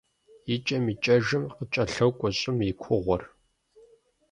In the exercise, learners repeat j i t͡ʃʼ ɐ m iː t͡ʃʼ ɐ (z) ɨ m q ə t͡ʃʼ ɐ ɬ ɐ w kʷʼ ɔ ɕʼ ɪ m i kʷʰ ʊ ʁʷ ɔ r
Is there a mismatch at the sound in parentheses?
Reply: yes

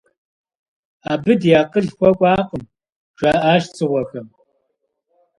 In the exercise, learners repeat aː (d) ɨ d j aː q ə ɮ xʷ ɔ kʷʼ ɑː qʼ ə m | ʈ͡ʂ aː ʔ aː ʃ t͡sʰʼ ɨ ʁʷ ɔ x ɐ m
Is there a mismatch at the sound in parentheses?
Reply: yes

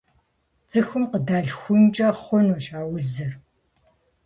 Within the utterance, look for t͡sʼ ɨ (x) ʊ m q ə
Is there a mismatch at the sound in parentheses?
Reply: no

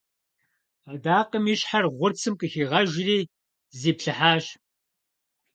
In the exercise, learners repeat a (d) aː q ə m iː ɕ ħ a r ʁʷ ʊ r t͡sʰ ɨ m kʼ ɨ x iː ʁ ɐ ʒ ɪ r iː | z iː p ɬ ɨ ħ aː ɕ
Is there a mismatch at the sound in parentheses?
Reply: no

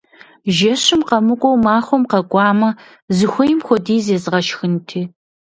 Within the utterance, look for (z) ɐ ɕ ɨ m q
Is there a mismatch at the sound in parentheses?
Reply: yes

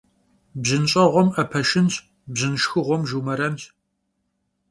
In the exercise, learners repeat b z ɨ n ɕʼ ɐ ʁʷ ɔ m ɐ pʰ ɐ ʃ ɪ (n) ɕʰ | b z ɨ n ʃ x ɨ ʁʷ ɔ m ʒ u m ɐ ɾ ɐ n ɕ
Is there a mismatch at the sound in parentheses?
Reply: no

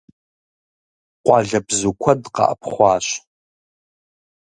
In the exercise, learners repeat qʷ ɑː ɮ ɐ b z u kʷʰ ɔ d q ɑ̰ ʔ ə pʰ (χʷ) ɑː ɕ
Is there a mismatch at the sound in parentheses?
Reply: no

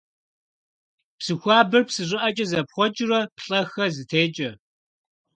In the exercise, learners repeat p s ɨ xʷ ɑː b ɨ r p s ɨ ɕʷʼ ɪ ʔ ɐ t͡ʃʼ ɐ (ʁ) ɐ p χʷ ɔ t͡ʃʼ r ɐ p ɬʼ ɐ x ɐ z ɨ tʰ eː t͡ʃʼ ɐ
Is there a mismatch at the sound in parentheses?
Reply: yes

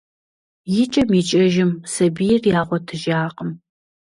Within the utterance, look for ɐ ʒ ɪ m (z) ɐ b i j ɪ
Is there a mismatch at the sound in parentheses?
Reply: yes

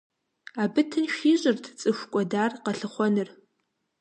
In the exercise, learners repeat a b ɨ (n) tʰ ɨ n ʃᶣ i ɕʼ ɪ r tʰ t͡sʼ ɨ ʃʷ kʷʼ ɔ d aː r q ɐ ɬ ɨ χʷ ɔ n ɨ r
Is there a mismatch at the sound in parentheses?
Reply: yes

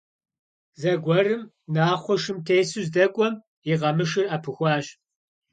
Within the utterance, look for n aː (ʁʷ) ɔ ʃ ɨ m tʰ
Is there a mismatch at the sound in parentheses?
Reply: yes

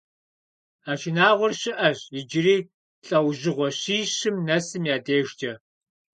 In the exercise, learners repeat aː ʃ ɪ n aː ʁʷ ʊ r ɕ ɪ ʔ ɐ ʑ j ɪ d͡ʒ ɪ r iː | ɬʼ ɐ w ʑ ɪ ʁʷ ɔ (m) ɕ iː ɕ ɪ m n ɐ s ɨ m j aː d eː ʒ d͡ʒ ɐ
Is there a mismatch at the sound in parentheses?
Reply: yes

